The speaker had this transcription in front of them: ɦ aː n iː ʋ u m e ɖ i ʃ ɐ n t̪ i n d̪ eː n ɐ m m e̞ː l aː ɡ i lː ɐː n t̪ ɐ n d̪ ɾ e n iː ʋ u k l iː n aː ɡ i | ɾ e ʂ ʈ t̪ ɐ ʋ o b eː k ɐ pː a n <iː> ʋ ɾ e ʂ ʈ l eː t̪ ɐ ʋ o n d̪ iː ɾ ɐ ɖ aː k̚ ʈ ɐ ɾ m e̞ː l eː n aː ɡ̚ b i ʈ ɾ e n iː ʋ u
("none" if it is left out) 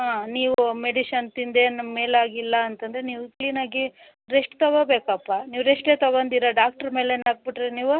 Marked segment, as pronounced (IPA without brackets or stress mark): iː